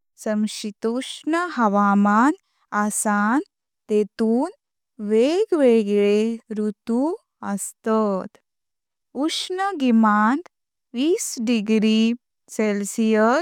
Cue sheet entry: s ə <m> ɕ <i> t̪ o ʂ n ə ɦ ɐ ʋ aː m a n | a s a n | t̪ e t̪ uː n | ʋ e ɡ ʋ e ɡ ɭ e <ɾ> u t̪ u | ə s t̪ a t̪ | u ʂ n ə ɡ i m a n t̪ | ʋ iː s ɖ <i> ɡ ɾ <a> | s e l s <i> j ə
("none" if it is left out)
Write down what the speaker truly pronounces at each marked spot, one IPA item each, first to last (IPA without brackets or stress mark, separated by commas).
m, i, ɾ, i, i, i